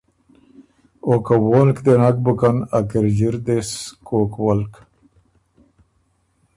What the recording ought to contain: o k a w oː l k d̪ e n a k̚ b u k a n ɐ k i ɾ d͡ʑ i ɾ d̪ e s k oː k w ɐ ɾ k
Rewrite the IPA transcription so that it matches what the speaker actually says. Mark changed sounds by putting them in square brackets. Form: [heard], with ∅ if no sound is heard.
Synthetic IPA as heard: o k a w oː l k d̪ e n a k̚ b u k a n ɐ k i ɾ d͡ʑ i ɾ d̪ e s k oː k w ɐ [l] k